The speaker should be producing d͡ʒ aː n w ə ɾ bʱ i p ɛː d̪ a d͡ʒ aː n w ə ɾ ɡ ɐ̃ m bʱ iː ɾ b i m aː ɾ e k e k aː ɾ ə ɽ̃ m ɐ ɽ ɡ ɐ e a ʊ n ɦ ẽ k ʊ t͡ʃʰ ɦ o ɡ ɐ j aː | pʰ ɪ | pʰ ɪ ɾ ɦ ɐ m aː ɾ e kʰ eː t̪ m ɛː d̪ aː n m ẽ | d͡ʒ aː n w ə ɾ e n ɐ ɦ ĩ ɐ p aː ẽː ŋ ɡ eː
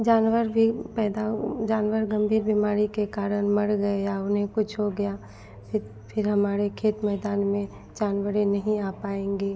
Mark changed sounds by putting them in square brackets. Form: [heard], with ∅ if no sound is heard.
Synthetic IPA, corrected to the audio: d͡ʒ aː n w ə ɾ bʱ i p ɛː d̪ a d͡ʒ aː n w ə ɾ ɡ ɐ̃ m bʱ iː ɾ b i m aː ɾ [i] k e k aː ɾ ə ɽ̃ m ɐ ɽ ɡ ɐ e a ʊ n ɦ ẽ k ʊ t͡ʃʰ ɦ o ɡ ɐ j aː | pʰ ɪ | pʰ ɪ ɾ ɦ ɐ m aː ɾ e kʰ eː t̪ m ɛː d̪ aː n m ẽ | d͡ʒ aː n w ə ɾ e n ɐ ɦ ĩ [a] p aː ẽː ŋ ɡ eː